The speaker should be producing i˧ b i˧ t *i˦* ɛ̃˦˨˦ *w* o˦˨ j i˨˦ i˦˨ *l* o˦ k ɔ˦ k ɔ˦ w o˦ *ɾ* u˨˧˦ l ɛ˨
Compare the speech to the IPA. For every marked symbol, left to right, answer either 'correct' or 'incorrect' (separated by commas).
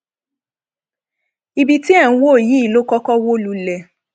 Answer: correct, correct, correct, incorrect